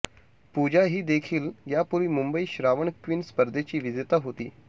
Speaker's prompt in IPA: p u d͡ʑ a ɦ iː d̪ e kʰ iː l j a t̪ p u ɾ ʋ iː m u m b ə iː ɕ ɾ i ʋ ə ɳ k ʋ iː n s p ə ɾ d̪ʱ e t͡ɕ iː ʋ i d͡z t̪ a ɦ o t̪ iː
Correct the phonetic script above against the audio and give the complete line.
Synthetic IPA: p u d͡ʑ a ɦ iː d̪ e kʰ iː l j a p u ɾ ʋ iː m u m b ə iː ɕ ɾ a ʋ ə ɳ k ʋ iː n s p ə ɾ d̪ʱ e t͡ɕ iː ʋ i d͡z t̪ a ɦ o t̪ iː

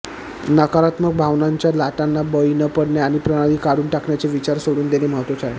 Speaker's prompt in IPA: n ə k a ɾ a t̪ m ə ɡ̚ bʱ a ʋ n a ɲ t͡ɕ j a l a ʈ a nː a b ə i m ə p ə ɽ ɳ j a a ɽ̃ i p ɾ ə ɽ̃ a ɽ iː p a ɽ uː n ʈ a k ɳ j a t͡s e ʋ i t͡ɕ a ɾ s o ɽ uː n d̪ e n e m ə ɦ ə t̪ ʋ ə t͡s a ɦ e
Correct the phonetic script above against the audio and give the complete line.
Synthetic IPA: n ə k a ɾ a t̪ m ə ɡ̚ bʱ a ʋ n a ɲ t͡ɕ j a l a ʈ a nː a b ə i n ə p ə ɽ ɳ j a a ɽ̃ i p ɾ ə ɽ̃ a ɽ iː k a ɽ uː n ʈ a k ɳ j a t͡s e ʋ i t͡ɕ a ɾ s o ɽ uː n d̪ e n e m ə ɦ ə t̪ ʋ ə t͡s a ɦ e

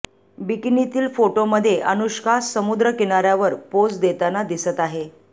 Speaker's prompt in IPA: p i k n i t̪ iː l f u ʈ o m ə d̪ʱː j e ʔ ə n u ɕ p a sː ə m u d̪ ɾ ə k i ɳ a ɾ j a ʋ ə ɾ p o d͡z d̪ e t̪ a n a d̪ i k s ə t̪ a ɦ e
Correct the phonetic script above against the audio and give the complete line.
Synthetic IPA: b i k n i t̪ iː l f o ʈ o m ə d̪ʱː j e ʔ ə n u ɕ k a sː ə m u d̪ ɾ ə k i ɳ a ɾ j a ʋ ə ɾ p o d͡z d̪ e t̪ a n a d̪ i s ə t̪ a ɦ e

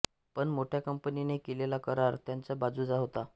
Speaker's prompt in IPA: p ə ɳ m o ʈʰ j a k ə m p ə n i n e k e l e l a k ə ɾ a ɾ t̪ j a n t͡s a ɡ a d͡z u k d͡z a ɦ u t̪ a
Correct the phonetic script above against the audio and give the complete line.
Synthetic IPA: p ə ɳ m o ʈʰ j a k ə m p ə n i n e k e l e l a k ə ɾ a ɾ t̪ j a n t͡s a b a d͡z u d͡z a ɦ o t̪ a

